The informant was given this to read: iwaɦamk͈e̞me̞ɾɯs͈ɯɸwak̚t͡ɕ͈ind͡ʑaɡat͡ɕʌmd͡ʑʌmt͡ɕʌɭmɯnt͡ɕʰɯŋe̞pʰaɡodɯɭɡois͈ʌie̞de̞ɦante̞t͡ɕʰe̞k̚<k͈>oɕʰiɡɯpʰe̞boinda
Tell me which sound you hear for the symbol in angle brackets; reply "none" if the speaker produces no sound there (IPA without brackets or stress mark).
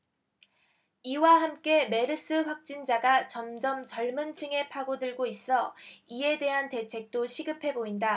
t͈